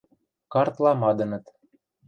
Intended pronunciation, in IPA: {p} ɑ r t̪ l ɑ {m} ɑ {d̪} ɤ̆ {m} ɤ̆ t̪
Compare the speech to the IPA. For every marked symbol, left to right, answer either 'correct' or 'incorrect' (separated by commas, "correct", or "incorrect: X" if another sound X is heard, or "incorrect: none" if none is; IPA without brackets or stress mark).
incorrect: k, correct, correct, incorrect: n